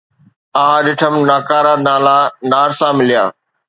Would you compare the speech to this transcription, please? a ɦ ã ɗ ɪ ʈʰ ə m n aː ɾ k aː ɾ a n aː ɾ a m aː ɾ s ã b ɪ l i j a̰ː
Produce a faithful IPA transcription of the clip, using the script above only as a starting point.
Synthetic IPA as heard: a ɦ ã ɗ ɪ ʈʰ ə m n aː k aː ɾ a n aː l a n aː ɾ s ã m ɪ l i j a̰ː